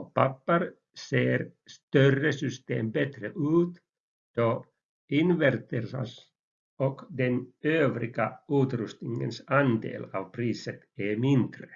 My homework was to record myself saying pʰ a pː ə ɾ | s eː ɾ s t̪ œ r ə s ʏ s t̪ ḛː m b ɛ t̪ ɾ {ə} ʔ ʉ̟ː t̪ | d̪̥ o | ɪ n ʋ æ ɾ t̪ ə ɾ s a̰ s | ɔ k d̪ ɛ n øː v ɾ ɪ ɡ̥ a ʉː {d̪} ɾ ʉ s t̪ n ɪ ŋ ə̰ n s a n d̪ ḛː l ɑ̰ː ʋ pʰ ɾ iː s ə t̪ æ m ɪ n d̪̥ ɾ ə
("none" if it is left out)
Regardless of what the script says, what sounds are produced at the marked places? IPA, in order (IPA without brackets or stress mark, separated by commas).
ə, t̪